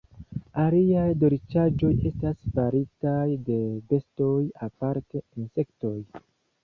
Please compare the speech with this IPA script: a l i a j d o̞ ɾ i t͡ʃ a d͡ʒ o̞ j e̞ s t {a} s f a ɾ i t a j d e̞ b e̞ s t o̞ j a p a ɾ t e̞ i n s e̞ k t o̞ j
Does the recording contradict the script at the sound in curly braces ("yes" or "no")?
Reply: no